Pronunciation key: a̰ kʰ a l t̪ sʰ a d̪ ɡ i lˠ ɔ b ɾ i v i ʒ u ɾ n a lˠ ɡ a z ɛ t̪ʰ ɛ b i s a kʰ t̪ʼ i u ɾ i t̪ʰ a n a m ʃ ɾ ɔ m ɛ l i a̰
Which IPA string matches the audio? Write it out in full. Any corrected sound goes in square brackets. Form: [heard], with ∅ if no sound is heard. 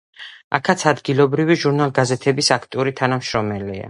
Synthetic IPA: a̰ kʰ a [∅] t̪ sʰ a d̪ ɡ i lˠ ɔ b ɾ i v i ʒ u ɾ n a lˠ ɡ a z ɛ t̪ʰ ɛ b i s a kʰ t̪ʼ i u ɾ i t̪ʰ a n a m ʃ ɾ ɔ m ɛ l i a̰